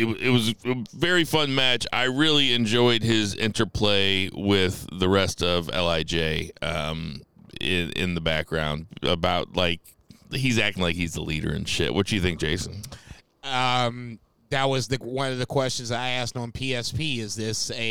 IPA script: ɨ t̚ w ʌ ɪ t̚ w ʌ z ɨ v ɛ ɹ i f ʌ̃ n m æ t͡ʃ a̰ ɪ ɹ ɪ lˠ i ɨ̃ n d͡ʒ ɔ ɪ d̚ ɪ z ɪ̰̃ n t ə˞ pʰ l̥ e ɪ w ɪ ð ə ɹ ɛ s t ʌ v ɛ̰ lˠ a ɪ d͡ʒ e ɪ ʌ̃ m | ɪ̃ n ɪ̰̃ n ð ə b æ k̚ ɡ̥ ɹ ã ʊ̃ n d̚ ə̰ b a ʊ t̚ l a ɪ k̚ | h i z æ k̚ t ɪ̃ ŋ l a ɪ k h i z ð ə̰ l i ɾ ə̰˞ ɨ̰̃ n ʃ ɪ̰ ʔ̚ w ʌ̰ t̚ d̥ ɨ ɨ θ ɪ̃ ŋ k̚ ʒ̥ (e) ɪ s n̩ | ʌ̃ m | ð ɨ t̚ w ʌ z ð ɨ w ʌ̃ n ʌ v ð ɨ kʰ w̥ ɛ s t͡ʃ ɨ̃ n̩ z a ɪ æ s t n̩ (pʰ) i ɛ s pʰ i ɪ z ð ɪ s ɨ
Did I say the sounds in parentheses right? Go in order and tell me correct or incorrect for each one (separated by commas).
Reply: correct, correct